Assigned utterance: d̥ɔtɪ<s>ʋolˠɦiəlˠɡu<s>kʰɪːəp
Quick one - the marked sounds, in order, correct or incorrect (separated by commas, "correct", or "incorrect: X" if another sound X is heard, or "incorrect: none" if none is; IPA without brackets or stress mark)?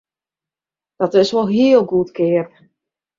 correct, incorrect: t